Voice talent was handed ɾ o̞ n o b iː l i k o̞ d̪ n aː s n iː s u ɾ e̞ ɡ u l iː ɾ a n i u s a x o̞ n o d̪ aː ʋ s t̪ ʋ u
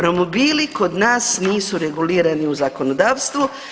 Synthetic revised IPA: ɾ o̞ m o b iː l i k o̞ d̪ n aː s n iː s u ɾ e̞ ɡ u l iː ɾ a n i u z a k o̞ n o d̪ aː ʋ s t̪ ʋ u